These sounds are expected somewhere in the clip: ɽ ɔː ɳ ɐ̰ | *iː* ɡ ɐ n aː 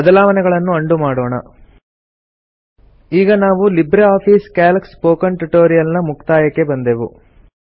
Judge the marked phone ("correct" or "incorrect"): correct